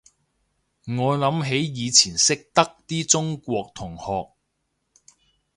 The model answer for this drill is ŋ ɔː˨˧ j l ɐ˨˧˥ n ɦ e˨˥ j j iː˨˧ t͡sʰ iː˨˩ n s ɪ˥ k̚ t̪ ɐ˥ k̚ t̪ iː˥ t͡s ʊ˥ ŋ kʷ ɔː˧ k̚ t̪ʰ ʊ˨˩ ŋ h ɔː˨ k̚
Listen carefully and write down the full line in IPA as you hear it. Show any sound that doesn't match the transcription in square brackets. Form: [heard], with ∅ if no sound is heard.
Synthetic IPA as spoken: ŋ ɔː˨˧ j l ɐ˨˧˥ [m] ɦ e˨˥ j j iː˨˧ t͡sʰ iː˨˩ n s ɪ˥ k̚ t̪ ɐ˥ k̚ t̪ iː˥ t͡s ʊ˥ ŋ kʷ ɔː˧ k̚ t̪ʰ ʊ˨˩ ŋ h ɔː˨ k̚